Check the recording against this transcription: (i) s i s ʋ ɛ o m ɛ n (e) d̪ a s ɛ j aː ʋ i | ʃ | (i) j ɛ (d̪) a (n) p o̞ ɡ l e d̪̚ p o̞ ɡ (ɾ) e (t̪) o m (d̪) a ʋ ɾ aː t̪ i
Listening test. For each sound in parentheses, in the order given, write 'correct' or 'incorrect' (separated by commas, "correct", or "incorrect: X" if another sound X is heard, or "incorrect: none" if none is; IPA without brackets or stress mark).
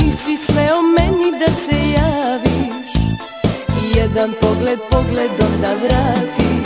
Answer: correct, incorrect: i, correct, correct, correct, incorrect: l, incorrect: d̪, correct